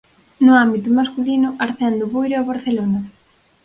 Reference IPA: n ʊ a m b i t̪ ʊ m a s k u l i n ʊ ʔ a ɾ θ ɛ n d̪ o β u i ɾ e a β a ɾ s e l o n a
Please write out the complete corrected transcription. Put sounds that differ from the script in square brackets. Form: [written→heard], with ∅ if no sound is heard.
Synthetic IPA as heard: n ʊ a m b i t̪ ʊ m a s k u l i n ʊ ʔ a ɾ θ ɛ n d̪ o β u [i→j] ɾ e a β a ɾ [s→θ] e l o n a